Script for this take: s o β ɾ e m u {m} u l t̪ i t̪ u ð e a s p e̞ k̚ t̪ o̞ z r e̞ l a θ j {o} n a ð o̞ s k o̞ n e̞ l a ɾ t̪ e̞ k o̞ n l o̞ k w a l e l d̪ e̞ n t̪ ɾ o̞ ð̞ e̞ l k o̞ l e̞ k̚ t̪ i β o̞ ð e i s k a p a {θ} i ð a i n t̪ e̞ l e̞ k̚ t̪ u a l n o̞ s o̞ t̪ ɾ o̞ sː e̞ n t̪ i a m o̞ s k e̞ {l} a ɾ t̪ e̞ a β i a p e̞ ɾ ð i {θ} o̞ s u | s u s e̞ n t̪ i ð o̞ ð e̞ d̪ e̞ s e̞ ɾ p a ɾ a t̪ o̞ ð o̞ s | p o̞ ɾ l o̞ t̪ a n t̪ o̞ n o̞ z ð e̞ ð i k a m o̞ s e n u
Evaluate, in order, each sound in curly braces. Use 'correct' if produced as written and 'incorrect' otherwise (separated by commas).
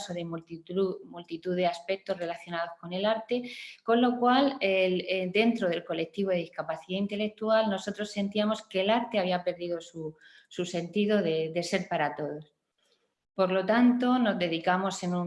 correct, correct, correct, correct, incorrect